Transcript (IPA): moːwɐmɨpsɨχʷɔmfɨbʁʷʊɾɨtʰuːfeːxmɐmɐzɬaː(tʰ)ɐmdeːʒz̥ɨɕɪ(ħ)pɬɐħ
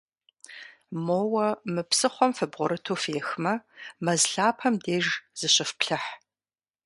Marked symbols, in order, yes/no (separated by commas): no, no